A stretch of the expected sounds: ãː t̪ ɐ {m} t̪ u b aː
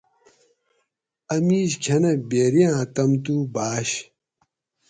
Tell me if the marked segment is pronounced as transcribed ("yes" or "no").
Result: yes